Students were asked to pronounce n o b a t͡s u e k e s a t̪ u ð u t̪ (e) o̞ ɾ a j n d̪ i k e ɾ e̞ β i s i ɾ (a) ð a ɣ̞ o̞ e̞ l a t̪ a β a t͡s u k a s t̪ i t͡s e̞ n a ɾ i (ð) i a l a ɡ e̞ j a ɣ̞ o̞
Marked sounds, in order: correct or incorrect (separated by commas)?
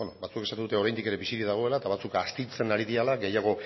correct, incorrect, correct